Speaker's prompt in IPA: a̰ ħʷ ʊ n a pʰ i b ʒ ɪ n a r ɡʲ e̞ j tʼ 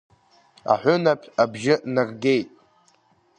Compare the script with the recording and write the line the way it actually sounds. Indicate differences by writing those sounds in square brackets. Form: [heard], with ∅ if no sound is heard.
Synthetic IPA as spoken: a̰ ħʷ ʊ n a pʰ [a] b ʒ ɪ n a r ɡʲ e̞ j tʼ